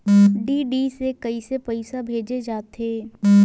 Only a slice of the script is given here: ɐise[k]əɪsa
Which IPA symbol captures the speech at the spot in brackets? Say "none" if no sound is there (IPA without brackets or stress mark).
p